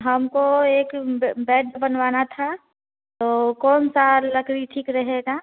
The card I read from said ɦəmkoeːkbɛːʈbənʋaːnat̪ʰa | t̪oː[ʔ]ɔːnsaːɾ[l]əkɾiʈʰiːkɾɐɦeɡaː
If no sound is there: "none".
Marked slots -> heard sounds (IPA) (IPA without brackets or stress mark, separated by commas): k, l